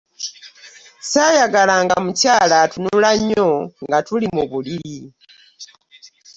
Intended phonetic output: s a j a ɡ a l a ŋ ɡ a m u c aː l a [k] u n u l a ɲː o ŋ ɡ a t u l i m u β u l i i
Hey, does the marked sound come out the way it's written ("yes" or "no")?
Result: no